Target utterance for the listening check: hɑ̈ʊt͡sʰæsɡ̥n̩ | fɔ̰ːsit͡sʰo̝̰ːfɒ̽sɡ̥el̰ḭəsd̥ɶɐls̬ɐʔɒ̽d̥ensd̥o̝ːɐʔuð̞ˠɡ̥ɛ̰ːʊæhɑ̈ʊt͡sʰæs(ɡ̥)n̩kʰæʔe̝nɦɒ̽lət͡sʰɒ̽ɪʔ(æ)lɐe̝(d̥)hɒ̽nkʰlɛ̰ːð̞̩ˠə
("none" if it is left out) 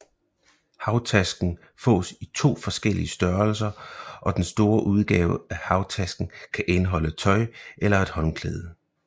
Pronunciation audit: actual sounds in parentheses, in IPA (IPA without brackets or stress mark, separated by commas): ɡ̥, e, d̥